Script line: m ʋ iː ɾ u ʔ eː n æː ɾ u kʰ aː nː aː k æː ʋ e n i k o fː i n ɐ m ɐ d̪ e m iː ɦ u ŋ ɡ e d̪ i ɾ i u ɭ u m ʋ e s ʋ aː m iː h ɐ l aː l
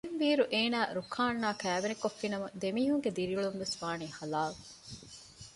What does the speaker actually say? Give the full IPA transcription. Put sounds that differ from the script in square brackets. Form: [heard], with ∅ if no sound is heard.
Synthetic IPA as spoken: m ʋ iː ɾ u ʔ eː n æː ɾ u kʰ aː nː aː k æː ʋ e n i k o fː i n ɐ m ɐ d̪ e m iː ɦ u ŋ ɡ e d̪ i ɾ i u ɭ u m ʋ e s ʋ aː [n] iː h ɐ l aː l